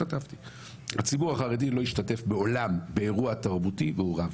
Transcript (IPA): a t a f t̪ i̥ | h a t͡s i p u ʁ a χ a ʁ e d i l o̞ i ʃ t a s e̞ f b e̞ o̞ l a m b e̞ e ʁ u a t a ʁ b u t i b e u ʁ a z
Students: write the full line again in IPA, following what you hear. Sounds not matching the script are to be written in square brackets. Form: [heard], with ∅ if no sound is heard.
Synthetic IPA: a t a f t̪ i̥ | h a t͡s i [b] u ʁ a χ a ʁ e d i l o̞ i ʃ t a [t] e̞ f b e̞ o̞ l a m b e̞ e ʁ u a t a ʁ b u t i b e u ʁ a [v]